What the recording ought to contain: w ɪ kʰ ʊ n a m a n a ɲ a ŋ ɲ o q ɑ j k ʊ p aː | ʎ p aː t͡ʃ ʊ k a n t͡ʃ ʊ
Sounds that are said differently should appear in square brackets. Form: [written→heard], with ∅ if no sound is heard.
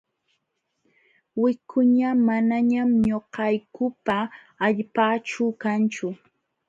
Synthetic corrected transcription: w ɪ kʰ ʊ [n→ɲ] a m a n a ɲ a [ŋ→m] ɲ o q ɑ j k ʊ p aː | ʎ p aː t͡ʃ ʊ k a n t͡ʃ ʊ

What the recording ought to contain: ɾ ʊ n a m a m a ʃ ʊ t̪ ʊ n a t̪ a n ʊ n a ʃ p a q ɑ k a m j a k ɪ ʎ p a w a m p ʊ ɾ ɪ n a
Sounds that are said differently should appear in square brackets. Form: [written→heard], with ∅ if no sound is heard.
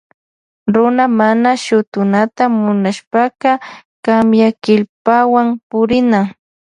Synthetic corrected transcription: ɾ ʊ n a m a [m→n] a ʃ ʊ t̪ ʊ n a t̪ a [n→m] ʊ n a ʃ p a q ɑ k a m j a k ɪ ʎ p a w a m p ʊ ɾ ɪ n a

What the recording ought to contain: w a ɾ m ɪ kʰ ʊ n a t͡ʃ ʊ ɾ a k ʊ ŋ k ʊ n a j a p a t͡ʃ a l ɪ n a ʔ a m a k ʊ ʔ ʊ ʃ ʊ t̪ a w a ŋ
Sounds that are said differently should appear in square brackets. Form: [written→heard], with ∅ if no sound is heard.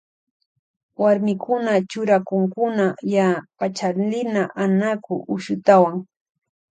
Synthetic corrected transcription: w a ɾ m ɪ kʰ ʊ n a t͡ʃ ʊ ɾ a k ʊ ŋ k ʊ n a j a p a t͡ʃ a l ɪ n a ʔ a [m→n] a k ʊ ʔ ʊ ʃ ʊ t̪ a w a ŋ

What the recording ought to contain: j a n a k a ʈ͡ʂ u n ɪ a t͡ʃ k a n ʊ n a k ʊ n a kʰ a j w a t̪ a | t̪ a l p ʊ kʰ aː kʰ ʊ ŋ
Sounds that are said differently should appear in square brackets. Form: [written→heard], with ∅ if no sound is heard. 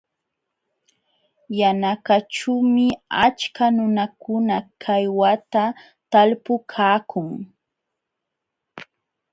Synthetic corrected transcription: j a n a k a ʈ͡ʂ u [n→m] ɪ a t͡ʃ k a n ʊ n a k ʊ n a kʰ a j w a t̪ a | t̪ a l p ʊ kʰ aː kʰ ʊ ŋ

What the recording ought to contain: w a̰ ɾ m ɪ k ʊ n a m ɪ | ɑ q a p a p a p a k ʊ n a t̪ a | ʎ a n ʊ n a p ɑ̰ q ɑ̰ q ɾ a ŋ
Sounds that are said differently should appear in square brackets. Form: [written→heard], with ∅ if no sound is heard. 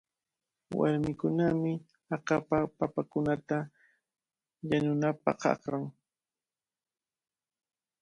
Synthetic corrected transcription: w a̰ ɾ m ɪ k ʊ n a m ɪ | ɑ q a p a p a p a k ʊ n a t̪ a | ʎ a n ʊ n a p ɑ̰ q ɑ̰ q ɾ a ŋ

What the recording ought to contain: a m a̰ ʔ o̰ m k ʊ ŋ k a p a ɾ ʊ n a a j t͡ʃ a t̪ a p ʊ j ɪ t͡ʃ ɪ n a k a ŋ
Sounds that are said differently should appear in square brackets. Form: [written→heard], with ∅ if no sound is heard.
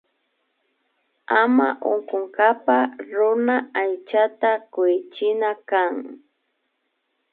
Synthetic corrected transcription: a m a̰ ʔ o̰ [m→ŋ] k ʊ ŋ k a p a ɾ ʊ n a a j t͡ʃ a t̪ a [p→k] ʊ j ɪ t͡ʃ ɪ n a k a ŋ

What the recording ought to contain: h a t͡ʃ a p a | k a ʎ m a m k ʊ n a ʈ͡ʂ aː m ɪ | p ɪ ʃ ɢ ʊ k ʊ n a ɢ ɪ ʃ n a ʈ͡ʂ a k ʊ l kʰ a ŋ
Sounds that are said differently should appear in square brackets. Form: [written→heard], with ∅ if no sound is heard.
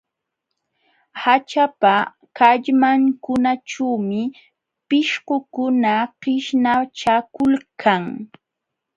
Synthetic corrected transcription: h a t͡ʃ a p a | k a ʎ m a [m→ŋ] k ʊ n a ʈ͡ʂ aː m ɪ | p ɪ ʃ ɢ ʊ k ʊ n a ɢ ɪ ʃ n a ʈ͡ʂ a k ʊ l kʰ a ŋ

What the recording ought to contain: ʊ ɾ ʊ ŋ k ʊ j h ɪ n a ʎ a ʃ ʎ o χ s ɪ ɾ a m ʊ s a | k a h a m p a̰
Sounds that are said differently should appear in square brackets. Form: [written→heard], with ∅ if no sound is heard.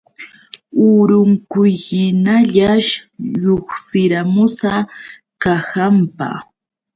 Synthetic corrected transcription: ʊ ɾ ʊ ŋ k ʊ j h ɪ n a ʎ a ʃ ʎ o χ s ɪ ɾ a m ʊ s a | k a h a m p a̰

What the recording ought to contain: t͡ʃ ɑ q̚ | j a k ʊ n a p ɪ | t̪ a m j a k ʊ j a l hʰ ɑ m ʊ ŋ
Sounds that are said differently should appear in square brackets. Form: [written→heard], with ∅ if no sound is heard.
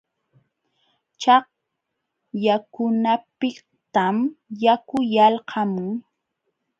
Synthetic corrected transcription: t͡ʃ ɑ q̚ | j a k ʊ n a p ɪ | t̪ a m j a k ʊ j a l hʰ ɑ m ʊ ŋ

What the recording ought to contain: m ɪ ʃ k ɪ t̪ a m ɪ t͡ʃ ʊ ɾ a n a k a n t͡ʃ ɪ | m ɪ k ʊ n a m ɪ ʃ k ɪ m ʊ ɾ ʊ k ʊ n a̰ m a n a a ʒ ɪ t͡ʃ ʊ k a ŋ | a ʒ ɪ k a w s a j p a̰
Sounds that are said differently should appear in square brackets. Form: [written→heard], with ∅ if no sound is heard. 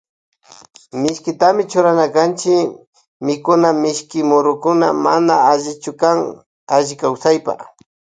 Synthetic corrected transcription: m ɪ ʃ k ɪ t̪ a m ɪ t͡ʃ ʊ ɾ a n a k a n t͡ʃ ɪ | m ɪ k ʊ n a m ɪ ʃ k ɪ m ʊ ɾ ʊ k ʊ n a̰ m a n a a ʒ ɪ t͡ʃ ʊ k a ŋ | a ʒ ɪ k a w s a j p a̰

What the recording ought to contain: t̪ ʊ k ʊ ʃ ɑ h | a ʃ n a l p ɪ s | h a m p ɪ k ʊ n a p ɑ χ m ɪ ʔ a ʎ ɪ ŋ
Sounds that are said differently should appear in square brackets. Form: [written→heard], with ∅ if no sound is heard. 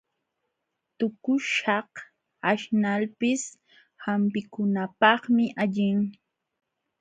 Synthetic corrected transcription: t̪ ʊ k ʊ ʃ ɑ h | a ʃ n a l p ɪ s | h a m p ɪ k ʊ n a p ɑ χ m ɪ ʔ a ʎ ɪ ŋ

